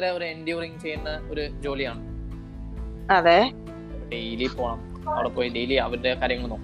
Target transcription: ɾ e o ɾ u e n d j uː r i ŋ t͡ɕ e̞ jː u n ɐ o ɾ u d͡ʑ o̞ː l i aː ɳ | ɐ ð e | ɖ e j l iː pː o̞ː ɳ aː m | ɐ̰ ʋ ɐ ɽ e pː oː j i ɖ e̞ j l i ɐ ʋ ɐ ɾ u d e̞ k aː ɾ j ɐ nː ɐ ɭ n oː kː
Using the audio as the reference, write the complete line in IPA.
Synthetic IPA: ɾ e o ɾ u e n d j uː r i ŋ t͡ɕ e̞ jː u nː ɐ o ɾ u d͡ʑ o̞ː l i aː ɳ | ɐ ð e | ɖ e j l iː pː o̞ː ɳ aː m | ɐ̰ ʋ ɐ ɽ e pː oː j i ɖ e̞ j l i ɐ ʋ ɐ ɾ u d e̞ k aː ɾ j ɐ ŋː ɐ ɭ n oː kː